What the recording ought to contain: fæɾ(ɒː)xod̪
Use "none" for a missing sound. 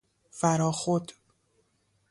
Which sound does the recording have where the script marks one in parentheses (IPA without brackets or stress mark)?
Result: ɒː